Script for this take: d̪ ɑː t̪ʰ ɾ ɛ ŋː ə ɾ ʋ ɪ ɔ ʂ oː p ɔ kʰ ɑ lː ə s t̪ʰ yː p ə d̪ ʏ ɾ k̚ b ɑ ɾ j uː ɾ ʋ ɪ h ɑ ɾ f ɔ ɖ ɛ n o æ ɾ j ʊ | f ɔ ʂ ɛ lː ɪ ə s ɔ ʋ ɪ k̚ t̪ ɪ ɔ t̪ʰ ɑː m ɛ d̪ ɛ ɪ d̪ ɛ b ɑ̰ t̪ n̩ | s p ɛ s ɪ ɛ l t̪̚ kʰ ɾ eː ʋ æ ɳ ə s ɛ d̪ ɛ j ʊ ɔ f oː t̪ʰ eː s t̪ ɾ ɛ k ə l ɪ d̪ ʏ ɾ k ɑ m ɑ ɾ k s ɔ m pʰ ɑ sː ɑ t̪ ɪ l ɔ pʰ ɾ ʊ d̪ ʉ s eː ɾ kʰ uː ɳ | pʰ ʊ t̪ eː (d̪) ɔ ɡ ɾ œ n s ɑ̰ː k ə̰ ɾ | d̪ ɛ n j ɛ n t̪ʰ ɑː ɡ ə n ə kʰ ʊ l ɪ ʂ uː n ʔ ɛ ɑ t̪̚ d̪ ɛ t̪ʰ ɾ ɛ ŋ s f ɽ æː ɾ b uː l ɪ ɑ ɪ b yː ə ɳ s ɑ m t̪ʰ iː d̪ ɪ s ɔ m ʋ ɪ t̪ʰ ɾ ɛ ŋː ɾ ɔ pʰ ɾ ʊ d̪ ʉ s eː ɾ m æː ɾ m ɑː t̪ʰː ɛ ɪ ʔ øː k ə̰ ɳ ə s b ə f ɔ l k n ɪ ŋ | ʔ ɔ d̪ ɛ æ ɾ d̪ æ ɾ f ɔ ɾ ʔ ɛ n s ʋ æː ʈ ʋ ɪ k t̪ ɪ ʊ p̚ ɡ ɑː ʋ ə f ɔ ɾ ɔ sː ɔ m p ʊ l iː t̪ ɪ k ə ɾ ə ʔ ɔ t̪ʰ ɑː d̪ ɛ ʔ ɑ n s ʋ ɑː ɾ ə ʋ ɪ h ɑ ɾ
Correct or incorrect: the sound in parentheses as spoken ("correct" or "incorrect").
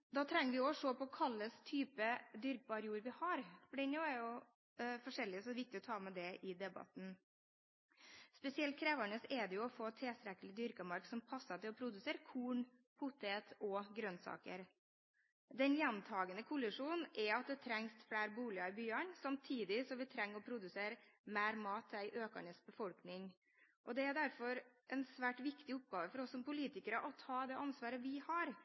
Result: incorrect